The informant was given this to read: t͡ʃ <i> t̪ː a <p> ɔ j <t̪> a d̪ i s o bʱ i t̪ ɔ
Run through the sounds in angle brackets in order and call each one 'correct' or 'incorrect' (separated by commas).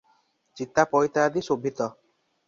correct, correct, correct